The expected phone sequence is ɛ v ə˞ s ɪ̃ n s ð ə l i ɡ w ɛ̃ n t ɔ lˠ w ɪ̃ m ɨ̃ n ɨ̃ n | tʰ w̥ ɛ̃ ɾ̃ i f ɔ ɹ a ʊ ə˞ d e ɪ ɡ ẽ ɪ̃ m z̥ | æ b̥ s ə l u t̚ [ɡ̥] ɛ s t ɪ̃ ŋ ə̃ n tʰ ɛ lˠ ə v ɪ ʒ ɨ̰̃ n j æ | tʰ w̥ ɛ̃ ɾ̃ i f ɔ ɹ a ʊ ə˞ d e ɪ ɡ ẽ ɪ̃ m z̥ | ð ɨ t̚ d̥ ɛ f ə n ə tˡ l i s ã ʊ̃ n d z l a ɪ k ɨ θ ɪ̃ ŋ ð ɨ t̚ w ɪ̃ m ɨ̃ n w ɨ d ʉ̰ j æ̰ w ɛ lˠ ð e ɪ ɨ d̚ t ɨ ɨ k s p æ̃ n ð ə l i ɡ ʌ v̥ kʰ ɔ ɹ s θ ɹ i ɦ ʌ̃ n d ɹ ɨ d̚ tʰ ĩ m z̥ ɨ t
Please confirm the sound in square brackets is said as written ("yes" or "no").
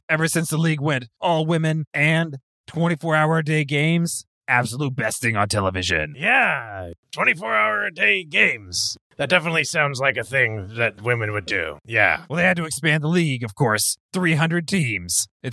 no